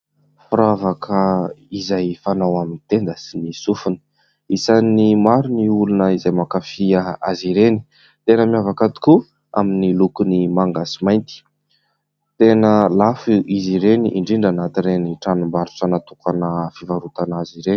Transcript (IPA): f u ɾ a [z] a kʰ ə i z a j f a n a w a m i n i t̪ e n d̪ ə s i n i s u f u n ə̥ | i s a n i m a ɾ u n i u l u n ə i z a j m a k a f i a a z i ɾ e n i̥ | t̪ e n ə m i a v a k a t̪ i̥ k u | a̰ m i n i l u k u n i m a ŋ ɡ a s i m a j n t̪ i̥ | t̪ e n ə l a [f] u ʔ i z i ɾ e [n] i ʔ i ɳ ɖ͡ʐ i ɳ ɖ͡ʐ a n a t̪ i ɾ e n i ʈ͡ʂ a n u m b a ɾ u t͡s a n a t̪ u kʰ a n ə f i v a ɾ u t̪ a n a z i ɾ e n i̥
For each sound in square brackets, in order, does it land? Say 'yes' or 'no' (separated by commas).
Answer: no, yes, yes